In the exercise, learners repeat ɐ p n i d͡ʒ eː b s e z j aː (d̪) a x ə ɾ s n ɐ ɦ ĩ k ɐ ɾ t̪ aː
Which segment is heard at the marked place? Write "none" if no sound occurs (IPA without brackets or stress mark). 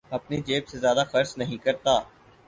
d̪